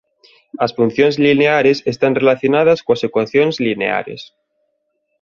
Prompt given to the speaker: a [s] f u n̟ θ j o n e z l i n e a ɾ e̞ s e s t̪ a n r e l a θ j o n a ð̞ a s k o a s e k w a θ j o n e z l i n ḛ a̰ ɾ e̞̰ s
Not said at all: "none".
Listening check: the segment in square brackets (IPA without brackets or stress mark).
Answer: s